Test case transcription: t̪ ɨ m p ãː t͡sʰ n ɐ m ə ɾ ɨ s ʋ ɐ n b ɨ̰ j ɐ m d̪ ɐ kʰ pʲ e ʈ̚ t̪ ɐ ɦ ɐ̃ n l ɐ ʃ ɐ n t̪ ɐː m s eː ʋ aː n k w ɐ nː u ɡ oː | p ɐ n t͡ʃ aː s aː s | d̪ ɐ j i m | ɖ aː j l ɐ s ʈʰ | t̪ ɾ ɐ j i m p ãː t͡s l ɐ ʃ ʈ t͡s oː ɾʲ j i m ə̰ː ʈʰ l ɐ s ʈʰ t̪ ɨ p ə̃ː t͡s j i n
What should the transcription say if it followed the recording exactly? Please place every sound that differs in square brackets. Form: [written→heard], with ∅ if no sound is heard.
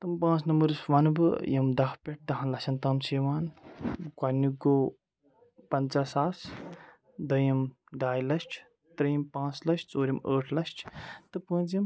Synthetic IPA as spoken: t̪ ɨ m p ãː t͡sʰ n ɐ m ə ɾ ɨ s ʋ ɐ n b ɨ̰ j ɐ m d̪ ɐ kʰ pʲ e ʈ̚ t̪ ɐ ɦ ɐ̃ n l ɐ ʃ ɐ n t̪ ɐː m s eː ʋ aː n k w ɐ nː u ɡ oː | p ɐ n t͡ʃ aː s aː s | d̪ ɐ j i m | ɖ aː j l ɐ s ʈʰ | t̪ ɾ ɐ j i m p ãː t͡s l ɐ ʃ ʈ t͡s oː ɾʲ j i m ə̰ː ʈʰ l ɐ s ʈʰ t̪ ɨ p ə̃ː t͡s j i [n→m]